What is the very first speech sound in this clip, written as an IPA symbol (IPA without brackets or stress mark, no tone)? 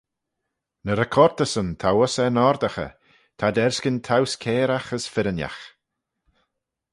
n